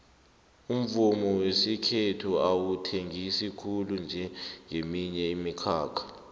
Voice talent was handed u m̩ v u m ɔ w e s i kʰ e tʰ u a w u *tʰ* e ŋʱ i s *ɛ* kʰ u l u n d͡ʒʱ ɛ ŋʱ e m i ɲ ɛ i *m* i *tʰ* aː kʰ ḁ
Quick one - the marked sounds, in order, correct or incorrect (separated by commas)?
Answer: correct, incorrect, correct, incorrect